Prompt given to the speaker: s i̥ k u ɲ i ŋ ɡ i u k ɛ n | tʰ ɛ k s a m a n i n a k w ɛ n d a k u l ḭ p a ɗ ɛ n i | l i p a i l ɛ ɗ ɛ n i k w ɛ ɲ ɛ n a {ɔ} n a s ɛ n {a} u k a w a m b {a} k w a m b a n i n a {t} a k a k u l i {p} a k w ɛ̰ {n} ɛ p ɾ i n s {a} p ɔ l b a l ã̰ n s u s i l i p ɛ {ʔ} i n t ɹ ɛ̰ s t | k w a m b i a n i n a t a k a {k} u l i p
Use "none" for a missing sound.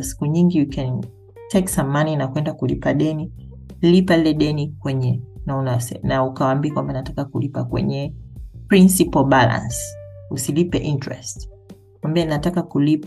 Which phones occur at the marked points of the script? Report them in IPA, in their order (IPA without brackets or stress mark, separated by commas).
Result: u, a, i, t, p, ɲ, i, ʔ, k